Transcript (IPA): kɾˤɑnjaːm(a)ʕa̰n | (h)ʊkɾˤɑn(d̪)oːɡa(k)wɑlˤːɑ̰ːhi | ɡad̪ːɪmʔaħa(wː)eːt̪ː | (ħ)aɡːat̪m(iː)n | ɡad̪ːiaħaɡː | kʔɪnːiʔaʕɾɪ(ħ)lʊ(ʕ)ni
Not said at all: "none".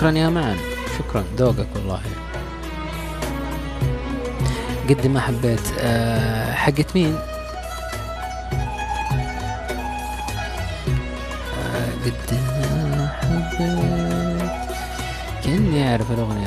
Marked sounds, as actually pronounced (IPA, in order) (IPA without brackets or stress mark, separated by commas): a, ʃ, d̪, k, bː, ħ, iː, f, ɣ